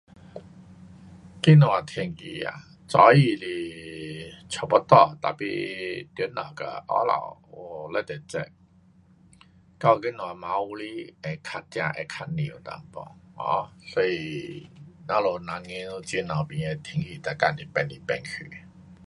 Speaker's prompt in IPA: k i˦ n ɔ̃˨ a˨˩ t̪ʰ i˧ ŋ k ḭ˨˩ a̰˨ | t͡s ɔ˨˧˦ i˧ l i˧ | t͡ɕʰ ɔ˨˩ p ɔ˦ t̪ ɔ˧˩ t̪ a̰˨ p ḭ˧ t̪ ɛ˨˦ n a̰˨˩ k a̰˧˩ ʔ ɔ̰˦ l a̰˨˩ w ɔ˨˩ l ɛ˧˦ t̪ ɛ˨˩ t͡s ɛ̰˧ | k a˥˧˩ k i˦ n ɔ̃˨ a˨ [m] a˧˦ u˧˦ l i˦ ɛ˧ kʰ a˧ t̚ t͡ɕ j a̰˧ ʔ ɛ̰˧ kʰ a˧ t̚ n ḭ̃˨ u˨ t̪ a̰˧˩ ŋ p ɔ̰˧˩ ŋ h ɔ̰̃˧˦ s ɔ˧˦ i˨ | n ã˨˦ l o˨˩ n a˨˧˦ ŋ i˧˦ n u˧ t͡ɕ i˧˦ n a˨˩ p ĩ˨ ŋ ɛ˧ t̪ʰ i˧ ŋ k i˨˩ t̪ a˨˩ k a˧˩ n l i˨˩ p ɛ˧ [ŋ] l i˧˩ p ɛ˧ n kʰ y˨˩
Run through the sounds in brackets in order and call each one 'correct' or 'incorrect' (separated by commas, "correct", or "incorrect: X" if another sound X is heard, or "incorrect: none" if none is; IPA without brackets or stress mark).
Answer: correct, incorrect: n